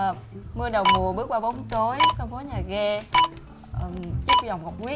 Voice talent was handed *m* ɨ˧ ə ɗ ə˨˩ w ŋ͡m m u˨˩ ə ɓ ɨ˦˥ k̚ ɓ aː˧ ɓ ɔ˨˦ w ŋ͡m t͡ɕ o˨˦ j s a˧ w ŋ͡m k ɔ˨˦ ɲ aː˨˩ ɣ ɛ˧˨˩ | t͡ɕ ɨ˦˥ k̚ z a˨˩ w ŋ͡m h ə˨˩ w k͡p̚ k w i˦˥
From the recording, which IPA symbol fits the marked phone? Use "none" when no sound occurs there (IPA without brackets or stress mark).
m